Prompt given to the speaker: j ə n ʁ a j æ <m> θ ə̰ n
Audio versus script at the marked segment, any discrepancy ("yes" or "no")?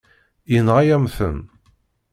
no